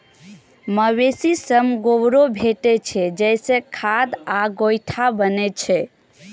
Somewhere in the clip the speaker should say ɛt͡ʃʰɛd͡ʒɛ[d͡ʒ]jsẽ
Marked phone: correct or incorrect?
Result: incorrect